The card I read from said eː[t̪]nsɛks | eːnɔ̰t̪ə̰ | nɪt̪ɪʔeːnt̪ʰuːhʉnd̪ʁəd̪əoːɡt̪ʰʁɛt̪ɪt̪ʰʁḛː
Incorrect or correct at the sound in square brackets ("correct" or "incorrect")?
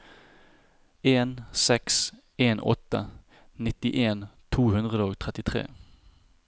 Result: incorrect